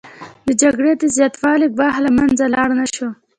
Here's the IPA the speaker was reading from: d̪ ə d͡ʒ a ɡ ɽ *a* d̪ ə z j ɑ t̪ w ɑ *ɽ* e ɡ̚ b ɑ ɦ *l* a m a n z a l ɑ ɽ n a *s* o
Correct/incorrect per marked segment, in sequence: incorrect, incorrect, correct, incorrect

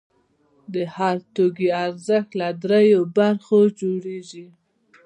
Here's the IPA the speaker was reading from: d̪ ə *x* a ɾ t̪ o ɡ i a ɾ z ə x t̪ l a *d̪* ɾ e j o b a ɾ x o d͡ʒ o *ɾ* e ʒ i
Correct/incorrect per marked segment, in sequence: incorrect, correct, incorrect

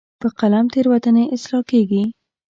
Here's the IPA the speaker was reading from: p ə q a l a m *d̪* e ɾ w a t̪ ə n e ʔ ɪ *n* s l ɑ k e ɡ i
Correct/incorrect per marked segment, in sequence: incorrect, incorrect

